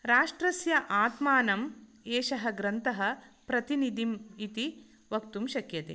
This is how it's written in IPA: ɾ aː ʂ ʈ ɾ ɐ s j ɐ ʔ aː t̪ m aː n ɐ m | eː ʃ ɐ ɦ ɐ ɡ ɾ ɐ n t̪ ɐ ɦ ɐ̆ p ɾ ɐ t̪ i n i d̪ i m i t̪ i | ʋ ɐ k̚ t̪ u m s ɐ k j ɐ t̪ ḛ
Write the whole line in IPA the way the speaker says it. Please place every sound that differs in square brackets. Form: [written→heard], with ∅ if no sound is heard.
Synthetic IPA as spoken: ɾ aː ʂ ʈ ɾ ɐ s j ɐ ʔ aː t̪ m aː n ɐ m | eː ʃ ɐ ɦ ɐ ɡ ɾ ɐ n t̪ ɐ ɦ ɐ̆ p ɾ ɐ t̪ i n i d̪ i m i t̪ i | ʋ ɐ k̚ t̪ u m [s→ʃ] ɐ k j ɐ t̪ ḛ